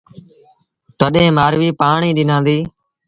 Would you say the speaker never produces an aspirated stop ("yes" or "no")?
yes